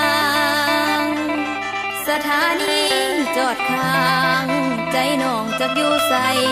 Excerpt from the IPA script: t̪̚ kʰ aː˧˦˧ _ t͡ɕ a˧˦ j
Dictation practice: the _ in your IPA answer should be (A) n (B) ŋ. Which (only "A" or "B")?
B